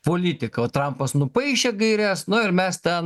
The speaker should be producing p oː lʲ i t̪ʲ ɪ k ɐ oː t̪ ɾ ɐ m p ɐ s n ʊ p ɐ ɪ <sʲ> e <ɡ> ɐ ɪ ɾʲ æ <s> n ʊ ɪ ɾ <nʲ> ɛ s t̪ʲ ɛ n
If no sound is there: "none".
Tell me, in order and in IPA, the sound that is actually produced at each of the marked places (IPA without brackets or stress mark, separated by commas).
ʃʲ, ɡ, s, mʲ